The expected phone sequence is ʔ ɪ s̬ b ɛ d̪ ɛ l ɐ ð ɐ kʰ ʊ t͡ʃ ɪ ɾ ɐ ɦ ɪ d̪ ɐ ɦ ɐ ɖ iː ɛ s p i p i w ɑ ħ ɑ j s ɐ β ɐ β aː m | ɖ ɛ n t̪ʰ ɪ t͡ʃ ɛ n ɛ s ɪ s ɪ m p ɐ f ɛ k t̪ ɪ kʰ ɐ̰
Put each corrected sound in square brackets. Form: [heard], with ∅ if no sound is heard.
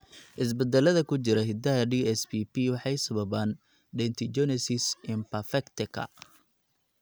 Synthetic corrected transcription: ʔ ɪ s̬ b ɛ d̪ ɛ l ɐ ð ɐ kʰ ʊ t͡ʃ ɪ ɾ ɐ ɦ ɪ d̪ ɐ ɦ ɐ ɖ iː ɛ s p i p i w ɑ ħ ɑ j s ɐ β ɐ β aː [n] | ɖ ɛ n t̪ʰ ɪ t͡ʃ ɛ n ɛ s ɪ s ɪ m p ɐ f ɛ k t̪ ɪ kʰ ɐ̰